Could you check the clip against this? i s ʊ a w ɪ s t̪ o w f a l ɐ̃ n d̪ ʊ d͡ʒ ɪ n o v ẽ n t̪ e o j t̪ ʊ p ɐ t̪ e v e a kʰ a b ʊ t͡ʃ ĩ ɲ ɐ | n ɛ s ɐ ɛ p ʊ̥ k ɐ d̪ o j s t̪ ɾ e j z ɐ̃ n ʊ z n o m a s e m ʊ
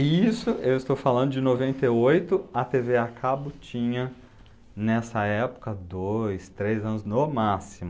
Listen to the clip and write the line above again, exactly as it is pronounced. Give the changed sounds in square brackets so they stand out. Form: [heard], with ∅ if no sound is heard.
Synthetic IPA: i s ʊ [e] w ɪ s t̪ o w f a l ɐ̃ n d̪ ʊ d͡ʒ ɪ n o v ẽ n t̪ e o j t̪ ʊ [∅] ɐ t̪ e v e a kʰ a b ʊ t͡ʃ ĩ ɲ ɐ | n ɛ s ɐ ɛ p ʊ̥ k ɐ d̪ o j s t̪ ɾ e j z ɐ̃ n ʊ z n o m a s [i] m ʊ